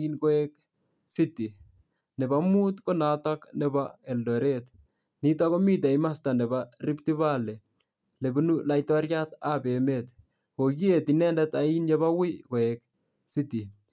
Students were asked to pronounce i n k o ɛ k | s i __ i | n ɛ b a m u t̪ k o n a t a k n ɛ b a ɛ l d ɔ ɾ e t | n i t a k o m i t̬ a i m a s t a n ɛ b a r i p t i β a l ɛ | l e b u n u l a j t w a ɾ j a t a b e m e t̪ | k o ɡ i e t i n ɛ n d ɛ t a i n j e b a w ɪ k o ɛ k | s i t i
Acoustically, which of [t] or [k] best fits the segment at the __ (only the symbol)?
t